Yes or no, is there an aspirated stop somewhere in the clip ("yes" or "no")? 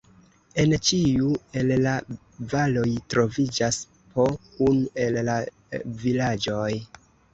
no